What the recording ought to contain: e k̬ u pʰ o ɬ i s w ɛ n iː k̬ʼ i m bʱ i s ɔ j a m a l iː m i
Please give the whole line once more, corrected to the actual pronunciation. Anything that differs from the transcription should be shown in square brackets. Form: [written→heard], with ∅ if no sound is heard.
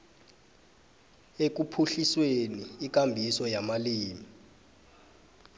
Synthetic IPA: e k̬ u pʰ [o→u] ɬ i s w [ɛ→e] n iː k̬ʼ [i→a] m bʱ i s ɔ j a m a l iː m i